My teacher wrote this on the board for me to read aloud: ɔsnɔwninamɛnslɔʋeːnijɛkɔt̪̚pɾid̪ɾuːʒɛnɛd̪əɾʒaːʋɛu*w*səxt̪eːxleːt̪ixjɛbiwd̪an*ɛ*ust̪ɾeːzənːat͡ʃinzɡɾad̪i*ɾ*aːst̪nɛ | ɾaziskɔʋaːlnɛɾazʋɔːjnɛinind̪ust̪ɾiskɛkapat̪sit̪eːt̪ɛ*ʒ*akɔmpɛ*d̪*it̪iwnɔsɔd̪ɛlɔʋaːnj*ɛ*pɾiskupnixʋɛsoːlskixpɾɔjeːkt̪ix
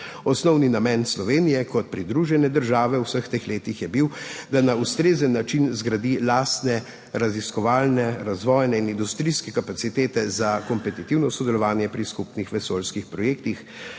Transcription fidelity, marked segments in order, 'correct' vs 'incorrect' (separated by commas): correct, incorrect, incorrect, incorrect, incorrect, correct